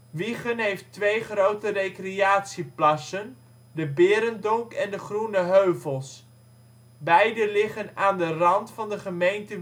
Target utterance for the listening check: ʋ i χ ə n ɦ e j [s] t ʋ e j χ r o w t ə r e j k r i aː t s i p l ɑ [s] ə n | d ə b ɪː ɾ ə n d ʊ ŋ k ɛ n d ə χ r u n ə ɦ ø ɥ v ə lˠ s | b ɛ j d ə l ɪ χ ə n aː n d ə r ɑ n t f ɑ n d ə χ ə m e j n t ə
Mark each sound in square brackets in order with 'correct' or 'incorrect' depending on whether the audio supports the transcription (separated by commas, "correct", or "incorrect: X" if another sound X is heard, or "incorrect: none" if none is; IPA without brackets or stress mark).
incorrect: f, correct